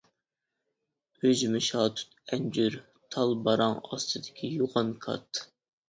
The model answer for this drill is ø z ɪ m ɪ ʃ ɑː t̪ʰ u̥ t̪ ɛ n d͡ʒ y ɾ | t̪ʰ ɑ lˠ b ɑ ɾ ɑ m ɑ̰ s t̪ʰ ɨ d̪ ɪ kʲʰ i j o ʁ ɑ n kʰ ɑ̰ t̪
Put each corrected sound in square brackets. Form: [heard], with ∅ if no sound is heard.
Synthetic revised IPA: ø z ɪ m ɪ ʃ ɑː t̪ʰ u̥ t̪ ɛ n d͡ʒ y ɾ | t̪ʰ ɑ lˠ b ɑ ɾ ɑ [ŋ] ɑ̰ s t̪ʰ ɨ d̪ ɪ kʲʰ i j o ʁ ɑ n kʰ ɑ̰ t̪